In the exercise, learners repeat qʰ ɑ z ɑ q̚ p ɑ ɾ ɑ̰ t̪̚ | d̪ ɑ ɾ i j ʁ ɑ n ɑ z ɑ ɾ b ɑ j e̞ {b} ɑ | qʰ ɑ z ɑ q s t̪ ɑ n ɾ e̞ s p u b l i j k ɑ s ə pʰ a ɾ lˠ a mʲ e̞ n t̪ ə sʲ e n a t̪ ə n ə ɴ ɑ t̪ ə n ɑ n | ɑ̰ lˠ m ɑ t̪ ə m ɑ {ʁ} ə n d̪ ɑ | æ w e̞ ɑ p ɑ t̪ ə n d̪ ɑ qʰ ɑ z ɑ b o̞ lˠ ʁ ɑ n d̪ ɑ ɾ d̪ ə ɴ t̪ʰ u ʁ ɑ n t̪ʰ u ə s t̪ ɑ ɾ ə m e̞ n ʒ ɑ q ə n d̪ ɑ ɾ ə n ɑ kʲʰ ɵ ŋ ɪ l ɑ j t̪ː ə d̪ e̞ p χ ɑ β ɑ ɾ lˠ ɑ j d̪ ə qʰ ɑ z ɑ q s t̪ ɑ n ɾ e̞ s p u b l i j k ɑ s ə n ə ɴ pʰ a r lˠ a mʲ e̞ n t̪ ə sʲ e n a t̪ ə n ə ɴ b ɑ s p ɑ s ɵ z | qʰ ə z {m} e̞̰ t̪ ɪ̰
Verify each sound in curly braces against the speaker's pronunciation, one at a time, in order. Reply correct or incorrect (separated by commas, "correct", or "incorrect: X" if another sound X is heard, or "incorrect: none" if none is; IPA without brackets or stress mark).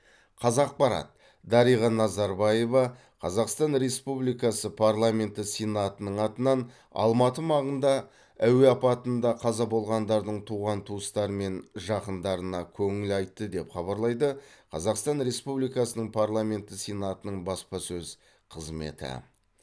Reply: incorrect: v, correct, correct